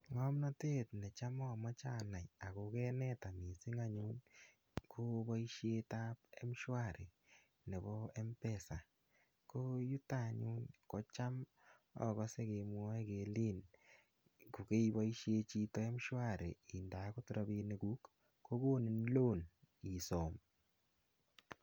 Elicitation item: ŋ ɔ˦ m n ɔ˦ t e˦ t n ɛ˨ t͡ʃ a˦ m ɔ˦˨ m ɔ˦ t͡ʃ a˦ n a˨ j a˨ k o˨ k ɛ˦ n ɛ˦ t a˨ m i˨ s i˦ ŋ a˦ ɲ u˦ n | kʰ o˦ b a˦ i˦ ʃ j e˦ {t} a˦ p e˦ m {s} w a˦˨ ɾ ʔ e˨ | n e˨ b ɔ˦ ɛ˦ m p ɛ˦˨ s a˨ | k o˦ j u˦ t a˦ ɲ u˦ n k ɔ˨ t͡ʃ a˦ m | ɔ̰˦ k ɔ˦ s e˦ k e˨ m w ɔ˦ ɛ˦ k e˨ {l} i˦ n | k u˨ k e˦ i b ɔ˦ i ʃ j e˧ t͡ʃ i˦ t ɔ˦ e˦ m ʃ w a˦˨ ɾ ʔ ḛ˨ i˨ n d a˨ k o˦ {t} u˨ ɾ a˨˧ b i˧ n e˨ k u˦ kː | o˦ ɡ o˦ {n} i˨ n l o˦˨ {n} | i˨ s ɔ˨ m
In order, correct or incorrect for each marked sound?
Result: correct, incorrect, correct, correct, correct, correct

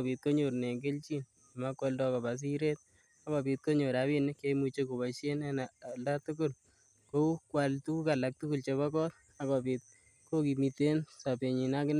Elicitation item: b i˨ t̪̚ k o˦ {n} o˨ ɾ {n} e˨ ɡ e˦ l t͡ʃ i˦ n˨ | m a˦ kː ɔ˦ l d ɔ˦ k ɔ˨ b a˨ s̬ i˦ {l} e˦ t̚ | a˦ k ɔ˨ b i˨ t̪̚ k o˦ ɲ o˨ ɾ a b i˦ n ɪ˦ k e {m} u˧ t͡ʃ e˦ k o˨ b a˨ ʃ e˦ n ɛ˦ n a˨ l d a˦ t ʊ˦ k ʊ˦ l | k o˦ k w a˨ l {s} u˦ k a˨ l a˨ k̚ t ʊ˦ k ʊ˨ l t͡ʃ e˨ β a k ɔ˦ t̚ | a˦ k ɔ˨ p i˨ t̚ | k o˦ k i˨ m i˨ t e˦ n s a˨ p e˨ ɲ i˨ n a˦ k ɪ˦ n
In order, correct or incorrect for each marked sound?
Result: incorrect, correct, incorrect, correct, incorrect

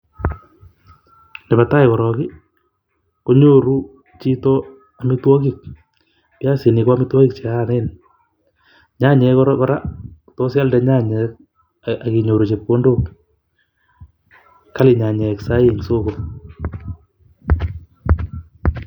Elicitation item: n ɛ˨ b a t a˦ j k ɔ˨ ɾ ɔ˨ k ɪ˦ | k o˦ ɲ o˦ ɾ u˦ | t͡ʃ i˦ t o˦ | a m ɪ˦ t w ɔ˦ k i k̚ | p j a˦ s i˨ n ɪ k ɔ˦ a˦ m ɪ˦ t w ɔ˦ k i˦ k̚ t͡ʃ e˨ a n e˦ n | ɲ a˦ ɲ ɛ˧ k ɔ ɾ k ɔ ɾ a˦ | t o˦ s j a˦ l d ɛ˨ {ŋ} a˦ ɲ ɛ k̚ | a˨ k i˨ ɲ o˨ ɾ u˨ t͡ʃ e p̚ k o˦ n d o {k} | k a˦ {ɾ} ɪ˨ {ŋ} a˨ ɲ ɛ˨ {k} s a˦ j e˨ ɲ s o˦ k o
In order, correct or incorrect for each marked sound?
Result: incorrect, correct, incorrect, incorrect, correct

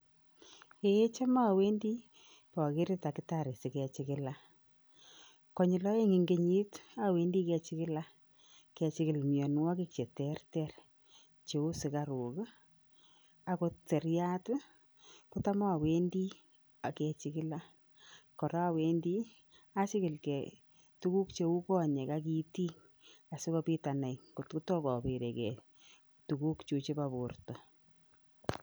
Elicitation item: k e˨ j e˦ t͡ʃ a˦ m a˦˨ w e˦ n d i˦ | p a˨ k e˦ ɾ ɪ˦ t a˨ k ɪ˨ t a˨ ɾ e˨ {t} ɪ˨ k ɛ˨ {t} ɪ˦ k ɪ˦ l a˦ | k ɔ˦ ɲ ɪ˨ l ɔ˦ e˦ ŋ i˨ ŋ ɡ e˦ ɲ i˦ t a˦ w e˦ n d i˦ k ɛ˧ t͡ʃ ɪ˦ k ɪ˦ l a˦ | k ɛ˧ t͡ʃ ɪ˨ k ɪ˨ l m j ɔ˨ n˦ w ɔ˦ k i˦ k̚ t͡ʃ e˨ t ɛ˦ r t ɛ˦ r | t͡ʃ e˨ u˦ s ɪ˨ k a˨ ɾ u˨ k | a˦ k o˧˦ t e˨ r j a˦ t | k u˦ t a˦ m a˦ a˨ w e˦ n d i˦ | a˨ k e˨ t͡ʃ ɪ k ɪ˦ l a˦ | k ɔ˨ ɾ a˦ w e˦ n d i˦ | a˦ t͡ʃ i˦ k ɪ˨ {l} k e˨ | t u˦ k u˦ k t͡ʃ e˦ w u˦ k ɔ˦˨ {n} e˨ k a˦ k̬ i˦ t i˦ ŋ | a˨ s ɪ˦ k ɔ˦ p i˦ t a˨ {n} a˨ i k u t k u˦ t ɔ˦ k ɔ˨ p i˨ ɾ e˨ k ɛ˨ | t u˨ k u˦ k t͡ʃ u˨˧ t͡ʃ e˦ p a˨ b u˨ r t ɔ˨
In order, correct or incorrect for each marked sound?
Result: incorrect, incorrect, correct, incorrect, correct

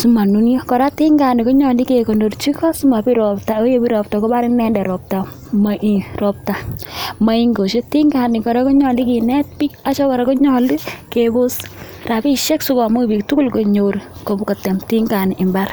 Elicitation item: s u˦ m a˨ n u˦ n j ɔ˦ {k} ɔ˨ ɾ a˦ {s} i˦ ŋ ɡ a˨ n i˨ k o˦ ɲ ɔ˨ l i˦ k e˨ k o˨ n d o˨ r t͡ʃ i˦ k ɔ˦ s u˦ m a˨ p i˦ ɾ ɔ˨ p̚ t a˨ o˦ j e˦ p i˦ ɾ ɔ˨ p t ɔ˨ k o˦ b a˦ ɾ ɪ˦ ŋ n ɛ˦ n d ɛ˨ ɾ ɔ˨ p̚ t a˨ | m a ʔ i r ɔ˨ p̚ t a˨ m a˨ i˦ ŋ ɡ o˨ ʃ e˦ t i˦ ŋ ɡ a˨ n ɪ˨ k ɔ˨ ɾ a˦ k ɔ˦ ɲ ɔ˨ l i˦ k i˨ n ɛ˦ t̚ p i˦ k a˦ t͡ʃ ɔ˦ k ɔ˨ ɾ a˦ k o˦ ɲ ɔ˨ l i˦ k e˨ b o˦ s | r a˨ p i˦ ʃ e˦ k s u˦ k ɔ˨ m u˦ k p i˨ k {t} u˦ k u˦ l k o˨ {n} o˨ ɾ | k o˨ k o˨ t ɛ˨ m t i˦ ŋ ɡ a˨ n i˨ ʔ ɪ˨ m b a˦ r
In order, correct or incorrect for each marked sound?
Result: correct, incorrect, correct, incorrect

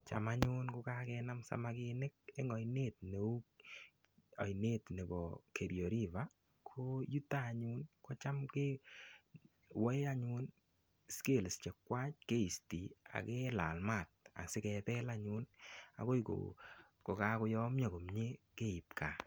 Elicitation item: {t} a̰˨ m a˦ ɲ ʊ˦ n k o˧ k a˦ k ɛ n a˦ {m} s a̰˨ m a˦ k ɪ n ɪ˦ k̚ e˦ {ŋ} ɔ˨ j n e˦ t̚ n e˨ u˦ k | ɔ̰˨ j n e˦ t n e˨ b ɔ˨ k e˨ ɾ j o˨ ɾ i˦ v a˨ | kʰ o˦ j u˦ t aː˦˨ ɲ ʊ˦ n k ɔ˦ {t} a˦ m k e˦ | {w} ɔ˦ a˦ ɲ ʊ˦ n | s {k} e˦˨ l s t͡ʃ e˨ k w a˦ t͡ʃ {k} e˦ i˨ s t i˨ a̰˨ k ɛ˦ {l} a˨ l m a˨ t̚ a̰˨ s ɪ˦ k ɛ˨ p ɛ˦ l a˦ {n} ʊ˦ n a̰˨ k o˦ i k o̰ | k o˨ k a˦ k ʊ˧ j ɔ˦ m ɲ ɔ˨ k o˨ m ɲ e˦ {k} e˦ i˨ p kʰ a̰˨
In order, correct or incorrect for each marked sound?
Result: incorrect, correct, correct, incorrect, correct, correct, correct, correct, incorrect, correct

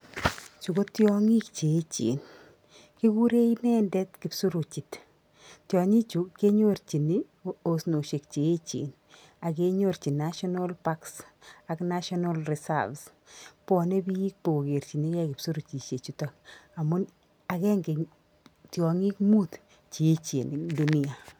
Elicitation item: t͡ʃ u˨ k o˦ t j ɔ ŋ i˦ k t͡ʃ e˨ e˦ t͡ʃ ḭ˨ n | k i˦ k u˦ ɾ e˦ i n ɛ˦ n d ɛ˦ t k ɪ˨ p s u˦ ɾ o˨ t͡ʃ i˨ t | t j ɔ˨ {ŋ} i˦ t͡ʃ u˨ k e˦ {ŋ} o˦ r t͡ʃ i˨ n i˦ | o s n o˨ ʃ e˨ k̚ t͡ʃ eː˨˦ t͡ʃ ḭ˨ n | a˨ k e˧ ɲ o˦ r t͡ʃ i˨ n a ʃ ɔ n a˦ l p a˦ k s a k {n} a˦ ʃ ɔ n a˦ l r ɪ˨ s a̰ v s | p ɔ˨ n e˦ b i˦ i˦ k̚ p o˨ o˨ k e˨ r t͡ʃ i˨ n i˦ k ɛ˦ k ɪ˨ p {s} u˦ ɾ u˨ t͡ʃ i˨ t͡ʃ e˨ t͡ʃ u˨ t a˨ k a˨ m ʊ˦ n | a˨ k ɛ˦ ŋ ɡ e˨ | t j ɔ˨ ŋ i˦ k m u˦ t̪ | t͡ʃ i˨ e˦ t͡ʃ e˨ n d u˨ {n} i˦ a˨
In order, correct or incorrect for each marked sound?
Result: incorrect, incorrect, correct, correct, correct

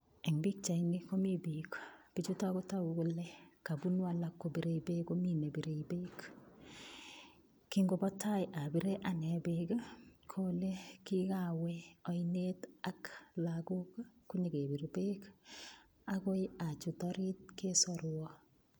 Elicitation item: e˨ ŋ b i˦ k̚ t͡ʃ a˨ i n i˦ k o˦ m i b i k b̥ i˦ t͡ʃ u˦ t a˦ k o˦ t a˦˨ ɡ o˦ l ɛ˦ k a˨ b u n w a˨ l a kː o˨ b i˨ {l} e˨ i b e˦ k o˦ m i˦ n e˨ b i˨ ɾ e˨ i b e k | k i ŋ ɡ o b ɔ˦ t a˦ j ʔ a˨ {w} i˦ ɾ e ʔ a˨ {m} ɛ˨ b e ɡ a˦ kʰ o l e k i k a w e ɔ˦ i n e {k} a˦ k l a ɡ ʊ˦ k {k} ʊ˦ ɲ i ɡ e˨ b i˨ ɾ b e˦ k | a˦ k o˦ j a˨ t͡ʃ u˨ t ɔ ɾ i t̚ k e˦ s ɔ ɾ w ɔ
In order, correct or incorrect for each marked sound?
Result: incorrect, incorrect, incorrect, incorrect, correct

